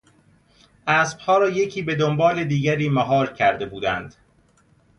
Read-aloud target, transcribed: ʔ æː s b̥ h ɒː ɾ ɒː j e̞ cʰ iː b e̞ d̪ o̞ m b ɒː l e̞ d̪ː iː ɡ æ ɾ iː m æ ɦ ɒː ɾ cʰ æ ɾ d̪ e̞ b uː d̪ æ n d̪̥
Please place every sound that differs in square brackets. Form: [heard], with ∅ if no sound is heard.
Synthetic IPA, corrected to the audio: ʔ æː s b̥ h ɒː ɾ ɒː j e̞ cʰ iː b e̞ d̪ o̞ m b ɒː l e̞ [d̪] iː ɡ æ ɾ iː m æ ɦ ɒː ɾ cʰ æ ɾ d̪ e̞ b uː d̪ æ n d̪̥